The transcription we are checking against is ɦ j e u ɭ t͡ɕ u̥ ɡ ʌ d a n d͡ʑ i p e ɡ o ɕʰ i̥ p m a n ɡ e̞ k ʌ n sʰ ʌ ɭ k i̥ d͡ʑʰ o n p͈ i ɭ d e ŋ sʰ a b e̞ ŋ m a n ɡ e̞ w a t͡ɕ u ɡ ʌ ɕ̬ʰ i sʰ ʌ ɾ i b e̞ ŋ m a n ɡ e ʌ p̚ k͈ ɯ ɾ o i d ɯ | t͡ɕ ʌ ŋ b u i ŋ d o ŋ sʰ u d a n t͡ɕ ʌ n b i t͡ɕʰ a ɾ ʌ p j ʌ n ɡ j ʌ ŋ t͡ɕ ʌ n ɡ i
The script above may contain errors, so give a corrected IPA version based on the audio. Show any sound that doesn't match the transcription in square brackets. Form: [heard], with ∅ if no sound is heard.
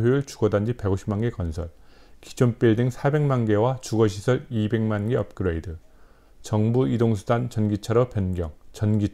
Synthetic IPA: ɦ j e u ɭ t͡ɕ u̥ ɡ ʌ d a n d͡ʑ i p e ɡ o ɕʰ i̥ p m a n ɡ e̞ k ʌ n sʰ ʌ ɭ k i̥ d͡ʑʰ o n p͈ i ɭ d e ŋ sʰ a b e̞ ŋ m a n ɡ e̞ w a t͡ɕ u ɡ ʌ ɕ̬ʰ i sʰ ʌ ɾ i b e̞ ŋ m a n ɡ e ʌ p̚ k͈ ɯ ɾ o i d ɯ | t͡ɕ ʌ ŋ b u i [∅] d o ŋ sʰ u d a n t͡ɕ ʌ n [ɡ] i t͡ɕʰ a ɾ ʌ p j ʌ n ɡ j ʌ ŋ t͡ɕ ʌ n ɡ i